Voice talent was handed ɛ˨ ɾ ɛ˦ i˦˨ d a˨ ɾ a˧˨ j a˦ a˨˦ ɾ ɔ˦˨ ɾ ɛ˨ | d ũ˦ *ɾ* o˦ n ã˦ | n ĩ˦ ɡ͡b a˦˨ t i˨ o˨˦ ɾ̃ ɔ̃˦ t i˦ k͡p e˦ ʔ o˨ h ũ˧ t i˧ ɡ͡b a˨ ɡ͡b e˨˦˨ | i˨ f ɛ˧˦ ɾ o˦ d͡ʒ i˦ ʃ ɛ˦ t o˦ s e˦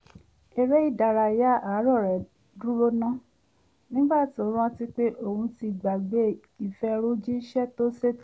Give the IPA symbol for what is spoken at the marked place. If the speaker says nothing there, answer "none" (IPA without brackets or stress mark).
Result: ɾ